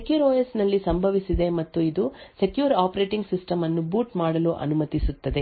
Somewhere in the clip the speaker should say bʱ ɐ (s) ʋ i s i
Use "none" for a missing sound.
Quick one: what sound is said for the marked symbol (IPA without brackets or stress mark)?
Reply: none